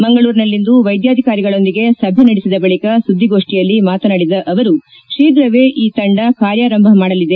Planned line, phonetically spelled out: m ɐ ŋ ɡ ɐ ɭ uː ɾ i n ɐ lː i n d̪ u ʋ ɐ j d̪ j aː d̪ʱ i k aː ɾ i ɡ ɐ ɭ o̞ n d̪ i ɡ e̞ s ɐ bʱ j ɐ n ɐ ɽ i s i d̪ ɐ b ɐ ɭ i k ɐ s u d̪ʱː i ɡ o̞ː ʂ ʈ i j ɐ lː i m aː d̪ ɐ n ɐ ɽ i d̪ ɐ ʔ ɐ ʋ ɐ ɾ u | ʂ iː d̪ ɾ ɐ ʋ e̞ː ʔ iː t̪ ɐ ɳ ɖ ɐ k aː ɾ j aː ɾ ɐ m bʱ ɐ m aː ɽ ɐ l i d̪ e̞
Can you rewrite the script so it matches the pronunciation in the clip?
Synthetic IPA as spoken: m ɐ ŋ ɡ ɐ ɭ uː ɾ i n ɐ lː i n d̪ u ʋ ɐ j d̪ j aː d̪ʱ i k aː ɾ i ɡ ɐ ɭ o̞ n d̪ i ɡ e̞ s ɐ bʱ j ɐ n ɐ ɽ i s i d̪ ɐ b ɐ ɭ i k ɐ s u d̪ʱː i ɡ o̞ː ʂ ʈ i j ɐ lː i m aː t̪ ɐ n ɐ ɽ i d̪ ɐ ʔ ɐ ʋ ɐ ɾ u | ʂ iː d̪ ɾ ɐ ʋ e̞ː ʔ iː t̪ ɐ ɳ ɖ ɐ k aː ɾ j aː ɾ ɐ m bʱ ɐ m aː ɽ ɐ l i d̪ e̞